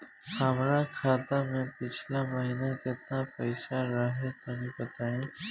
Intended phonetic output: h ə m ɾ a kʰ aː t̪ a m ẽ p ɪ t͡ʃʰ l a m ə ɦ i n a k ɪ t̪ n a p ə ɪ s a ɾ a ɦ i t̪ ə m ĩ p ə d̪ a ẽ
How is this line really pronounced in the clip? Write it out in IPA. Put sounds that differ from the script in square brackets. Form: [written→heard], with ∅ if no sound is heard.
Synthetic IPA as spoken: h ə m ɾ a kʰ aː t̪ a m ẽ p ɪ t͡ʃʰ l a m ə ɦ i n a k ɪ t̪ n a p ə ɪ s a ɾ a ɦ [i→e] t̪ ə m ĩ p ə [d̪→t̪] a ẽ

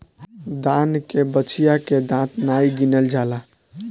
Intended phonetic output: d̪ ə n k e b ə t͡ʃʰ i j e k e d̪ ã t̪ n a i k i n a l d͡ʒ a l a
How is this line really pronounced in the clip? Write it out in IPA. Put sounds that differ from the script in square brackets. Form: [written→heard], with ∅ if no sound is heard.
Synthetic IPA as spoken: d̪ [ə→a] n k e b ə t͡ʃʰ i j [e→a] k e d̪ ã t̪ n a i [k→ɡ] i n [a→ə] l d͡ʒ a l a

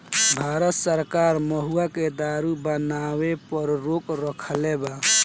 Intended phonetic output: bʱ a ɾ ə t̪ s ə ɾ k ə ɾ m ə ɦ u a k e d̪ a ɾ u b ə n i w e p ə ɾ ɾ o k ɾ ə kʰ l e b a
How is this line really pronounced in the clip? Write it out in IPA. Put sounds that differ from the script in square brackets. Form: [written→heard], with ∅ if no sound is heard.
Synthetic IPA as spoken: bʱ a ɾ ə t̪ s ə ɾ k [ə→a] ɾ m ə ɦ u a k e d̪ a ɾ u b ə n [i→a] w e p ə ɾ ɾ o k ɾ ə kʰ l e b a

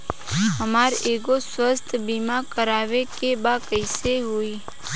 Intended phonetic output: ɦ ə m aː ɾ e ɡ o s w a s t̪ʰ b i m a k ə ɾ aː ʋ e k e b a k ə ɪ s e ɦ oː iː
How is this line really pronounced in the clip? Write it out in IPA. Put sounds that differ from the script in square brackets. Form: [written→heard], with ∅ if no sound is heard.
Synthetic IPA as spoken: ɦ ə m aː ɾ e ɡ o s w [a→ə] s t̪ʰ b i m a k ə ɾ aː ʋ e k e b a k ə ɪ s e ɦ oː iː

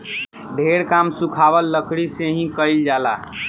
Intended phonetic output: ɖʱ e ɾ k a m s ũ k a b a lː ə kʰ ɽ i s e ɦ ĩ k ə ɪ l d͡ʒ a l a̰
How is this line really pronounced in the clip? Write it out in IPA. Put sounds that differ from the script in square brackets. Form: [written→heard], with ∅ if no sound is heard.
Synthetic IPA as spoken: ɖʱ e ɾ k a m s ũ [k→kʰ] a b [a→ə] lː ə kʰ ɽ i s e ɦ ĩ k ə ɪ l d͡ʒ a l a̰

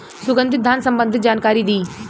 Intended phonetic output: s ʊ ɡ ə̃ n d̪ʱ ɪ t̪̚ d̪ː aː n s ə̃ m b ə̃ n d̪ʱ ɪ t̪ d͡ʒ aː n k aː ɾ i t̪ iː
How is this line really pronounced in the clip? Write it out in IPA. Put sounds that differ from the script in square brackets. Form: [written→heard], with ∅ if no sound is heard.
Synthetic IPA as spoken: s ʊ ɡ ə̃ n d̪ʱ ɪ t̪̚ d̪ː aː n s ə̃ m b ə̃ n d̪ʱ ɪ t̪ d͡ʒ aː n k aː ɾ i [t̪→d̪] iː

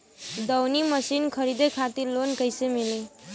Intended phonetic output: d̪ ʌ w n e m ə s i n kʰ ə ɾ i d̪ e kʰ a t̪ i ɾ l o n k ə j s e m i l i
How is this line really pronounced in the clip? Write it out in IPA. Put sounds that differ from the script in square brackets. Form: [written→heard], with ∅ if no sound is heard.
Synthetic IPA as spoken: d̪ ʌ w n [e→i] m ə s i n kʰ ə ɾ i d̪ e kʰ a t̪ i ɾ l o n k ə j s e m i l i

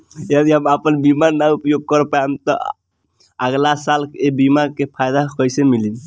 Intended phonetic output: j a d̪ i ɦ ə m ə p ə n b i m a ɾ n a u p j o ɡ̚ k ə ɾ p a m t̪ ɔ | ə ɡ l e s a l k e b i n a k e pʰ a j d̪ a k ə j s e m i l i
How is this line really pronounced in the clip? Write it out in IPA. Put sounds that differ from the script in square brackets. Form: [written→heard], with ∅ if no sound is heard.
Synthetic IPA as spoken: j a d̪ i ɦ ə m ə p ə n b i m a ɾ n a u p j o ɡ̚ k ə ɾ p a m t̪ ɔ | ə ɡ l [e→a] s a l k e b i [n→m] a k e pʰ a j d̪ a k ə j s e m i l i

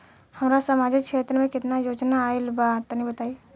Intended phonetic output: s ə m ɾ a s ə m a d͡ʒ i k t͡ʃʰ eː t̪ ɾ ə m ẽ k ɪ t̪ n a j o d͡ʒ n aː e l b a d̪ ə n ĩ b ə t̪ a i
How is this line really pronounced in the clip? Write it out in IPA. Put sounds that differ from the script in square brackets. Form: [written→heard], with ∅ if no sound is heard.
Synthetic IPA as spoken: [s→h] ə m ɾ a s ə m a d͡ʒ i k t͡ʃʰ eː t̪ ɾ ə m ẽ k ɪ t̪ n a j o d͡ʒ n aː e l b a [d̪→t̪] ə n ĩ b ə t̪ a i

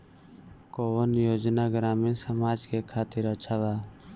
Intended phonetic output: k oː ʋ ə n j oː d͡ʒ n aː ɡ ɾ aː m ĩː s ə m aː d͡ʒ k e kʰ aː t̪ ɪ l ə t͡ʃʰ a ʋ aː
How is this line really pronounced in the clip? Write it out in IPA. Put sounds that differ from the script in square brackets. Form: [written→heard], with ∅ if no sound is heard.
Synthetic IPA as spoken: k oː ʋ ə n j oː d͡ʒ n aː ɡ ɾ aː m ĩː s ə m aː d͡ʒ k e kʰ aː t̪ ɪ [l→ɾ] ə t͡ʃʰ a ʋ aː

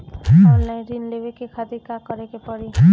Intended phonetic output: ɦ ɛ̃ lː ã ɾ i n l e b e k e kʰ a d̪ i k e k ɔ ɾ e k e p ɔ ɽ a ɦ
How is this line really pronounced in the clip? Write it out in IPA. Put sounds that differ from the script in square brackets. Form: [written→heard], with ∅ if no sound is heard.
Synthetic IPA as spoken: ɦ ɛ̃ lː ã ɾ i n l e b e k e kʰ a d̪ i k [e→a] k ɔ ɾ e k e p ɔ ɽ [a→i] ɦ

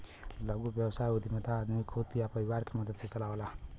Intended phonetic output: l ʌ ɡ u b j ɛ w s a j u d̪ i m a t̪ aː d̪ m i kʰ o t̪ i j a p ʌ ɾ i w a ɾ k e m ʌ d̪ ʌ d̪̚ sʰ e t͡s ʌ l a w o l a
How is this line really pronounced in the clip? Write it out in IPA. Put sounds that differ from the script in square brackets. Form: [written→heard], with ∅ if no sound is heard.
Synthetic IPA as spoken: l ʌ ɡ u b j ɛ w s a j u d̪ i m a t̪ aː d̪ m i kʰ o t̪ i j a p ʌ ɾ i w a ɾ k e m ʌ d̪ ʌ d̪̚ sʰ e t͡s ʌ l a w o l a

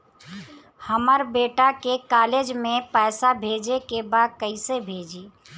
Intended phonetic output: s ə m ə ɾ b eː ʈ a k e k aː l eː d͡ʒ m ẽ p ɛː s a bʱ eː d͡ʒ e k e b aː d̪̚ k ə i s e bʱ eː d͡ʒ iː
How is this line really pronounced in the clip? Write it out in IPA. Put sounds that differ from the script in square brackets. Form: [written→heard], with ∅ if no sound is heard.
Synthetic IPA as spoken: [s→h] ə m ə ɾ b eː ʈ a k e k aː l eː d͡ʒ m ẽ p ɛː s a bʱ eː d͡ʒ e k e b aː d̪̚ k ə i s e bʱ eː d͡ʒ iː

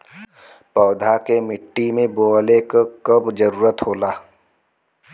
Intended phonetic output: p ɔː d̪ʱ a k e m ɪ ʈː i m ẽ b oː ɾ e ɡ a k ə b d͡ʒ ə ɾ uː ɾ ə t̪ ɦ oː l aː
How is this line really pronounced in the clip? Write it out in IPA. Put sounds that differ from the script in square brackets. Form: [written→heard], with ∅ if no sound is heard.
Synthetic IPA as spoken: p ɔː d̪ʱ a k e m ɪ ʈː i m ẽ b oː [ɾ→l] e [ɡ→k] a k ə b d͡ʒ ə ɾ uː ɾ ə t̪ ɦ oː l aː

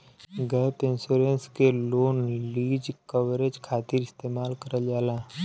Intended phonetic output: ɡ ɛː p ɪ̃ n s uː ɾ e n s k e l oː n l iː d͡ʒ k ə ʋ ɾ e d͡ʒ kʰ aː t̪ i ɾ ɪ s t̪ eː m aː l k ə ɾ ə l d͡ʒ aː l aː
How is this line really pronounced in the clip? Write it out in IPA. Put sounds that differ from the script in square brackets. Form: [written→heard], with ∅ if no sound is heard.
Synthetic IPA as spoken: ɡ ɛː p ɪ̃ n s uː ɾ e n s k e l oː n l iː d͡ʒ k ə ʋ ɾ e d͡ʒ kʰ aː t̪ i ɾ ɪ s t̪ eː m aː l k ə ɾ ə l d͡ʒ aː l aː

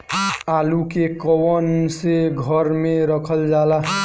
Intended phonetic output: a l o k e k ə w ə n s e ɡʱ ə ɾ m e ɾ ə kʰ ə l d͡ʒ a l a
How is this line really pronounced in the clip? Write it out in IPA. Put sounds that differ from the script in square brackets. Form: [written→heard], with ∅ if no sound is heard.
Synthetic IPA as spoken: a l [o→u] k e k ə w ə n s e ɡʱ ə ɾ m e ɾ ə kʰ ə l d͡ʒ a l a

